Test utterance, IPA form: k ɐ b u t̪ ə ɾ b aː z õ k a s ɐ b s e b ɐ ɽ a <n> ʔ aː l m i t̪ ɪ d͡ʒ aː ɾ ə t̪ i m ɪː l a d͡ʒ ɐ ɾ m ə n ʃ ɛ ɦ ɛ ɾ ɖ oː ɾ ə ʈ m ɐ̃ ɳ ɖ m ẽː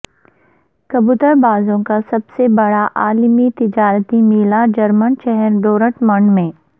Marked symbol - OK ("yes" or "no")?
no